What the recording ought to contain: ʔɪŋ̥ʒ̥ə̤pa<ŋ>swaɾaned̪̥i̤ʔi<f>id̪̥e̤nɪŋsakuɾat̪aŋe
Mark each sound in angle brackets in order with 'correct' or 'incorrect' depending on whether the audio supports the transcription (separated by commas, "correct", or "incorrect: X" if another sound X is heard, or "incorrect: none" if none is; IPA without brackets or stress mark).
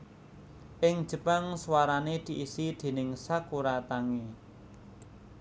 correct, incorrect: s